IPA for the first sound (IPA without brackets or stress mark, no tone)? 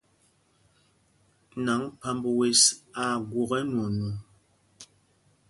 n